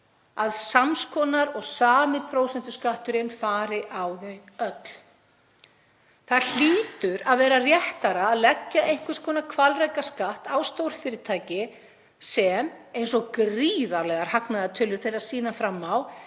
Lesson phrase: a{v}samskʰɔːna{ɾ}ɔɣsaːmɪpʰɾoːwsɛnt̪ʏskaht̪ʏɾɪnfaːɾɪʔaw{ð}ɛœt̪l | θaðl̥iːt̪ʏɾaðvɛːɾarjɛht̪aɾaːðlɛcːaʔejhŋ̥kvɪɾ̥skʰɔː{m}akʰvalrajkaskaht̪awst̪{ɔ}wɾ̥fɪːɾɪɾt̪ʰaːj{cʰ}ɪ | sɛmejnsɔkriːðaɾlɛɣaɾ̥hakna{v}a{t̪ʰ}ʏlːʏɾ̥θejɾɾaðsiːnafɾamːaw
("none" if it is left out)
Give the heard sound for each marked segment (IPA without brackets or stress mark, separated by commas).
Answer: ð, ɾ, ð, n, o, c, ð, t̪ʰ